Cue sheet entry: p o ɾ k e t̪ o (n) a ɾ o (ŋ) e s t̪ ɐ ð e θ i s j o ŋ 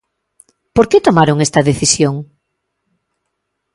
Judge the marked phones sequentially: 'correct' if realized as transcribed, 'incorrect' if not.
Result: incorrect: m, correct

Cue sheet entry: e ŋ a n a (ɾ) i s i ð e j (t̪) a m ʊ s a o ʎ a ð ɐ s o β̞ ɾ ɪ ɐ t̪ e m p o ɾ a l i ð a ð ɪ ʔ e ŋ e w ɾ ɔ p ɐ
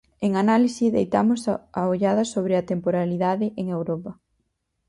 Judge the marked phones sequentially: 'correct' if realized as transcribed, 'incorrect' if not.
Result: incorrect: l, correct

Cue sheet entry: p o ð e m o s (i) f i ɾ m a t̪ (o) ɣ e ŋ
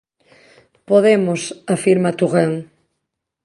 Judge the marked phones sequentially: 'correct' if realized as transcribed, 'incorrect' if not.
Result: incorrect: a, incorrect: u

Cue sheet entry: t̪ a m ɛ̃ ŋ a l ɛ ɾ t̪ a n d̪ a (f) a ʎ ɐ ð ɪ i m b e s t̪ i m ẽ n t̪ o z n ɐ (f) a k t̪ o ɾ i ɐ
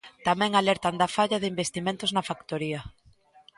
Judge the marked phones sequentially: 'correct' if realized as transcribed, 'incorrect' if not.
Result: correct, correct

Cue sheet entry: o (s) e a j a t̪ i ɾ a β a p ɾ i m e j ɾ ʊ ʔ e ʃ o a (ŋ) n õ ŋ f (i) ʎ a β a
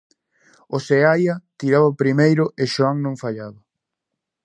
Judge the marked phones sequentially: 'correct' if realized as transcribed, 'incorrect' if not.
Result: correct, correct, incorrect: a

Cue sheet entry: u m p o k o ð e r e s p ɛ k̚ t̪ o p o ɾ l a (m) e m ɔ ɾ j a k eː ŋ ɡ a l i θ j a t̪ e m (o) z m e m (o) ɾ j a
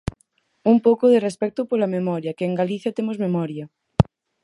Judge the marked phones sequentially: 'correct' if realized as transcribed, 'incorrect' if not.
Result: correct, correct, incorrect: ɔ

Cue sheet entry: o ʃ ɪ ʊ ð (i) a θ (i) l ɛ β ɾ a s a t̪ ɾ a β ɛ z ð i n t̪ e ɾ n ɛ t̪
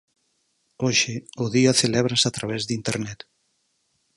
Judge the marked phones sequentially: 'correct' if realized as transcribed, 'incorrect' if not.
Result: correct, incorrect: e

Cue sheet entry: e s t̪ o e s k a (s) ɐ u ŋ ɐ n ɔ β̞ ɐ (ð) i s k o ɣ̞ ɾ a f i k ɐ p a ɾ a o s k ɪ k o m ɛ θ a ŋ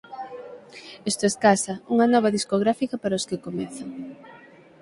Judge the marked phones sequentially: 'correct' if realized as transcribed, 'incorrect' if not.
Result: correct, correct

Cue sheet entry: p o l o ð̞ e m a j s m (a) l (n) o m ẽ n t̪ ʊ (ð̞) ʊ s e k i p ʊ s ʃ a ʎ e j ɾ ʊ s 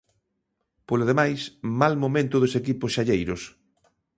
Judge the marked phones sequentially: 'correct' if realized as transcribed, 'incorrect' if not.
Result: correct, incorrect: m, correct

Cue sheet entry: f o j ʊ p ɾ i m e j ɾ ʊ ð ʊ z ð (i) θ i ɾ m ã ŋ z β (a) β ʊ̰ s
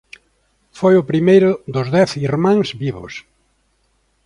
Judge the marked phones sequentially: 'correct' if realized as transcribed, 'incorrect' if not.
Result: incorrect: ɛ, incorrect: i

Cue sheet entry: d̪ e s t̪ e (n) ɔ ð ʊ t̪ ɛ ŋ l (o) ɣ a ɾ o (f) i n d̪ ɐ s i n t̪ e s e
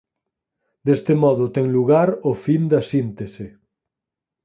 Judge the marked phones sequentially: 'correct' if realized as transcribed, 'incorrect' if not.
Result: incorrect: m, incorrect: u, correct

